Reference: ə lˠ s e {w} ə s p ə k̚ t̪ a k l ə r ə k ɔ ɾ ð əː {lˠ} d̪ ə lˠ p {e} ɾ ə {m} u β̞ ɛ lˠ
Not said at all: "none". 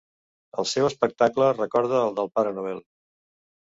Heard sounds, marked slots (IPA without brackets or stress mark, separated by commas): w, lˠ, a, n